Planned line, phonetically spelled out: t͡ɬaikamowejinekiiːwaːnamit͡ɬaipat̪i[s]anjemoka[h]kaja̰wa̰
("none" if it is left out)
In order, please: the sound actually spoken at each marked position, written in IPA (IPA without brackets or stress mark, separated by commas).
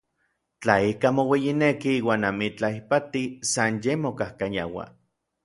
s, h